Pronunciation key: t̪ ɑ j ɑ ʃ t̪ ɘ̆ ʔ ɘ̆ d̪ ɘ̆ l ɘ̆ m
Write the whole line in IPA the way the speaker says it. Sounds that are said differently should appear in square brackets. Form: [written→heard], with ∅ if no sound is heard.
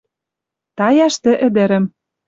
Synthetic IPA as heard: t̪ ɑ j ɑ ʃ t̪ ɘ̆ ʔ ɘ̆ d̪ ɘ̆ [l→ɾ] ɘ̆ m